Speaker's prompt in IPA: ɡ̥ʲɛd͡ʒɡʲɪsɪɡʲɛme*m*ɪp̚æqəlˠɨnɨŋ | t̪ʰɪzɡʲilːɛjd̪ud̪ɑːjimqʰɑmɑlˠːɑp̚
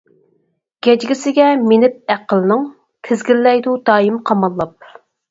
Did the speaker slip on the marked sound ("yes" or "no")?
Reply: yes